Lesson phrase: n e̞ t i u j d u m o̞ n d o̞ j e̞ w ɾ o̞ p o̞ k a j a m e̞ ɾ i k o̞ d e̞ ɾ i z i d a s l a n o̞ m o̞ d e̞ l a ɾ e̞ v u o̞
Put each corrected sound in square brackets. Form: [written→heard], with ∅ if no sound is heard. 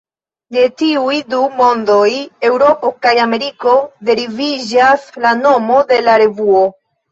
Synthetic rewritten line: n e̞ t i u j d u m o̞ n d o̞ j e̞ w ɾ o̞ p o̞ k a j a m e̞ ɾ i k o̞ d e̞ ɾ i [z→v] i [d→d͡ʒ] a s l a n o̞ m o̞ d e̞ l a ɾ e̞ v u o̞